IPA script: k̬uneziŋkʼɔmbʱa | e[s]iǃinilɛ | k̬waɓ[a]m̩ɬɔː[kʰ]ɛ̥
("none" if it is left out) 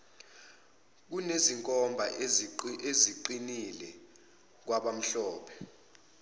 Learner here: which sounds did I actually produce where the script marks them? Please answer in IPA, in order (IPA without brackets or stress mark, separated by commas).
z, a, pʰ